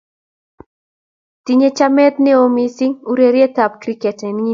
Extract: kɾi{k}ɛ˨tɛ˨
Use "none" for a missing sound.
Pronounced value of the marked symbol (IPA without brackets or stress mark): k